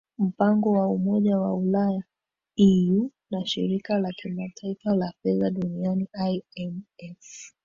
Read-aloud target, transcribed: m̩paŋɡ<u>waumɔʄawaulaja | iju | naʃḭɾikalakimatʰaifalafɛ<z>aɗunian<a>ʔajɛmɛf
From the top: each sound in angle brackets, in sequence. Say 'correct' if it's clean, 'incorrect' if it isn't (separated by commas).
incorrect, incorrect, incorrect